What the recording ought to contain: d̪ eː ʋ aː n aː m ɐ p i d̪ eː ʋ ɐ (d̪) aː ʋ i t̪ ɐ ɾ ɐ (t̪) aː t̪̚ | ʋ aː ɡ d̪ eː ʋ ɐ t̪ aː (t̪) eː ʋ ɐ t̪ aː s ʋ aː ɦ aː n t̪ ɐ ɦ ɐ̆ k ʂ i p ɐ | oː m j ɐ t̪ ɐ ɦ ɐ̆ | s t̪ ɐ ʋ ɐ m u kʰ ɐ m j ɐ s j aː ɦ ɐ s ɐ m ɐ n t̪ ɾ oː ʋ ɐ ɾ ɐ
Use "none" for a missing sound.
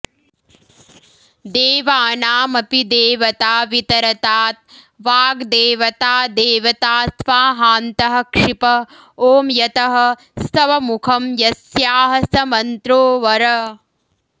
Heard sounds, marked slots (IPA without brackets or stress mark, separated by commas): t̪, t̪, d̪